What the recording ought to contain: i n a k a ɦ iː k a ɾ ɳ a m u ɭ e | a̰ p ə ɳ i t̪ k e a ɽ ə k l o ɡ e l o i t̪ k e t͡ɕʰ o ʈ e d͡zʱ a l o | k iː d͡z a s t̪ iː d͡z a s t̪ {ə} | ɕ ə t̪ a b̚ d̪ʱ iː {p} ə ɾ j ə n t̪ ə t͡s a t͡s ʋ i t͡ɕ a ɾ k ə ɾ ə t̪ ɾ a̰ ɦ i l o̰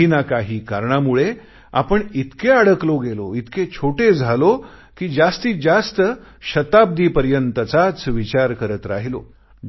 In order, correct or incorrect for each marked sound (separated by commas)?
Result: correct, correct